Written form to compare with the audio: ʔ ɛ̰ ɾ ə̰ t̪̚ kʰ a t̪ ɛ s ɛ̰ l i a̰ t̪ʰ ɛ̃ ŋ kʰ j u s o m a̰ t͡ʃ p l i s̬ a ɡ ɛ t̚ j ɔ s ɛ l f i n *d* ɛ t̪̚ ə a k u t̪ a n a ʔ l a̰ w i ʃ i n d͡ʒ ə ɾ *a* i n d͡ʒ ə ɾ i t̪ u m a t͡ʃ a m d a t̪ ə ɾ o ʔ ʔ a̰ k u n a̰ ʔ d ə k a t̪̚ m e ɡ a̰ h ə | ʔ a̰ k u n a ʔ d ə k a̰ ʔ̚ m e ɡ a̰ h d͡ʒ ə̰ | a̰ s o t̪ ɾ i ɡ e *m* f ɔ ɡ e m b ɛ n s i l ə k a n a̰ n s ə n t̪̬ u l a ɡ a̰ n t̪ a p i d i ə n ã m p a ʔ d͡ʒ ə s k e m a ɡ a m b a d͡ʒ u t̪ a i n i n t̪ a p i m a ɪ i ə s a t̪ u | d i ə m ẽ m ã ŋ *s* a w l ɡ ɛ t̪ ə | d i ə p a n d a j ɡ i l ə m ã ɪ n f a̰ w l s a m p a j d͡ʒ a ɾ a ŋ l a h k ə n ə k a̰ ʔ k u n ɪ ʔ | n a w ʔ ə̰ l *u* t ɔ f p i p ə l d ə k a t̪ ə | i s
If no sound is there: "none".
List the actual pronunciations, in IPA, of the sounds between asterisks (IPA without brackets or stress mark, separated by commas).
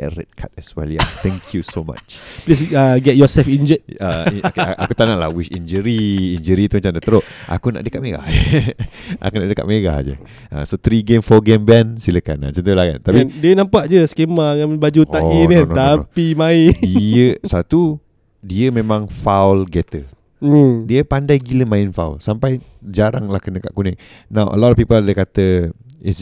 d͡ʒ, i, m, f, ɔ